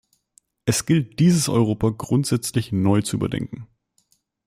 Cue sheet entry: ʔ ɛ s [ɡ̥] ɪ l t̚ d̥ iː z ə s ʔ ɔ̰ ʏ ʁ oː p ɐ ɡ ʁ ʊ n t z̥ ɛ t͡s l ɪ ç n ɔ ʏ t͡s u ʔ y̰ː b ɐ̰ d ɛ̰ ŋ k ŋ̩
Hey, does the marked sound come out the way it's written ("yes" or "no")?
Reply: yes